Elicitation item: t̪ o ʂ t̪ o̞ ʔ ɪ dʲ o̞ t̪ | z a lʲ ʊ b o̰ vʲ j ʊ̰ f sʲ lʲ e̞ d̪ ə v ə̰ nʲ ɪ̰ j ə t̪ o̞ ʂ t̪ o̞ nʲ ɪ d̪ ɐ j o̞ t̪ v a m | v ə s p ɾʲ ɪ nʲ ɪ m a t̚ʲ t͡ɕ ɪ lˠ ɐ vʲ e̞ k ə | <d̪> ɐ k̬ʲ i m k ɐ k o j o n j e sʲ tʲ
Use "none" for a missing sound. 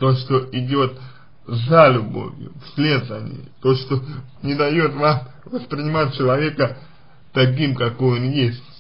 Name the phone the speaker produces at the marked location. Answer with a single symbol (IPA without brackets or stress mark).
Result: t̪